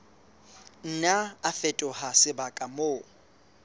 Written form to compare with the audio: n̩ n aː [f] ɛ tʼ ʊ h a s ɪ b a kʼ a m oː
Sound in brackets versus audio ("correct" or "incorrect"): correct